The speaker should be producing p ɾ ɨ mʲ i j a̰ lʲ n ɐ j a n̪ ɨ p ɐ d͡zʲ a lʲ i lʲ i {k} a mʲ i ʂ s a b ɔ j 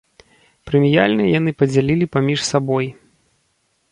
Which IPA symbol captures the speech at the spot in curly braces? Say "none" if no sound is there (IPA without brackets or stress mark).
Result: p